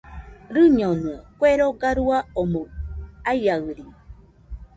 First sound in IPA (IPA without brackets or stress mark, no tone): ɾ